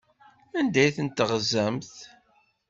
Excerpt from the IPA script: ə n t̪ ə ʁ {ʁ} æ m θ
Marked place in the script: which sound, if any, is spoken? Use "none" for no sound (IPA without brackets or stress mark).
z